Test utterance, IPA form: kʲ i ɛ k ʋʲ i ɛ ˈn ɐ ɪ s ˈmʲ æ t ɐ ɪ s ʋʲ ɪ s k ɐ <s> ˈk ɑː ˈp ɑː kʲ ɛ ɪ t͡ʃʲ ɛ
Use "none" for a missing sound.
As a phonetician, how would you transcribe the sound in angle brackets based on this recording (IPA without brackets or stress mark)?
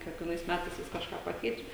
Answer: ʃ